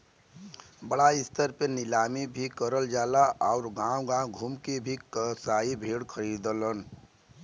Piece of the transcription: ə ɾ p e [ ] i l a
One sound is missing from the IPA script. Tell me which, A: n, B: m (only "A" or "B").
A